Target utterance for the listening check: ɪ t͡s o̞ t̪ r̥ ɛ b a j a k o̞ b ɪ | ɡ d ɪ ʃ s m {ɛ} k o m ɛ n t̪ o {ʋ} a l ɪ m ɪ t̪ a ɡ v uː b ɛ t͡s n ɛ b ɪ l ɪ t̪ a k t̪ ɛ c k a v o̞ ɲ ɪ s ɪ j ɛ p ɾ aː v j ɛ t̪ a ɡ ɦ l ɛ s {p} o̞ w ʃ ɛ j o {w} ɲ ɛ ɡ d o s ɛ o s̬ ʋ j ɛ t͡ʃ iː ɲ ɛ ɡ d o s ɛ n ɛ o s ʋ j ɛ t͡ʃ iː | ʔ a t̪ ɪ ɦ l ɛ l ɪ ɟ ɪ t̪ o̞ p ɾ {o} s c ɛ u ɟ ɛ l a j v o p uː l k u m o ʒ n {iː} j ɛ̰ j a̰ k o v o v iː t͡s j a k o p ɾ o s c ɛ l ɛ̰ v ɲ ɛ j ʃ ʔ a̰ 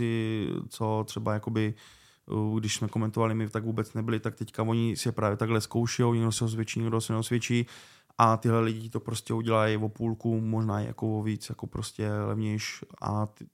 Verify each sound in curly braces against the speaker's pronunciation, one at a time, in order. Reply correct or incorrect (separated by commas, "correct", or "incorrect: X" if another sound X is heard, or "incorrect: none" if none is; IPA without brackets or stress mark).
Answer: correct, incorrect: v, incorrect: k, correct, correct, incorrect: aː